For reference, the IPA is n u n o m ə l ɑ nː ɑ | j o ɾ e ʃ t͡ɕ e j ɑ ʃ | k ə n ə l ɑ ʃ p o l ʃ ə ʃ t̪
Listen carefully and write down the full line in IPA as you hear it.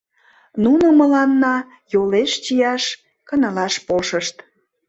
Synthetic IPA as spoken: n u n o m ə l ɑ nː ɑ | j o l e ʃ t͡ɕ i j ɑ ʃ | k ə n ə l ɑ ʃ p o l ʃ ə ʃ t̪